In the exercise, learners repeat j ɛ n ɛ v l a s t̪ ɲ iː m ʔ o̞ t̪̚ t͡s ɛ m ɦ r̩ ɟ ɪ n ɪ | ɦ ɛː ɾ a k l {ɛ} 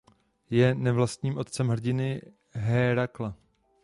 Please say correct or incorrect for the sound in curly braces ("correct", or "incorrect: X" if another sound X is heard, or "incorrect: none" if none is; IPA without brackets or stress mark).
incorrect: a